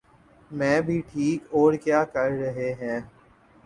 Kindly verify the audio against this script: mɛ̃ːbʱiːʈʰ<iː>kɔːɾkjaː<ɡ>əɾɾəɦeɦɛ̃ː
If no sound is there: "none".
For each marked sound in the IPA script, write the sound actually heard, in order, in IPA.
iː, k

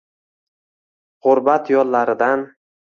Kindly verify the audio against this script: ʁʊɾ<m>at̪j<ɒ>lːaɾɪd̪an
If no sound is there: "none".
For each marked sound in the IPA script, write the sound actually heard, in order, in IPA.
b, ɒ

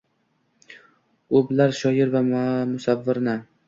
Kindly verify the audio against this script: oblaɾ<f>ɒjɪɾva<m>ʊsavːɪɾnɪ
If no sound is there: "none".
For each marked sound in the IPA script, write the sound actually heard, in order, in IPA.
ʃ, m

